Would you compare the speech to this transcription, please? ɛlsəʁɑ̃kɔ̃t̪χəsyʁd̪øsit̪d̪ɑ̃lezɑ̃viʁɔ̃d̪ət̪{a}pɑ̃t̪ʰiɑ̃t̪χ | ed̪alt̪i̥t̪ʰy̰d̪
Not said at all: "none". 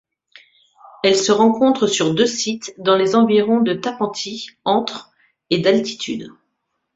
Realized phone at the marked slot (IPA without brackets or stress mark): a